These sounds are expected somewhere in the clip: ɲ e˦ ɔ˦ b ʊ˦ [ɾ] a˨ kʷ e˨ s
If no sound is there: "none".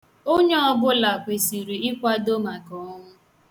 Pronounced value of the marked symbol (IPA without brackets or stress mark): l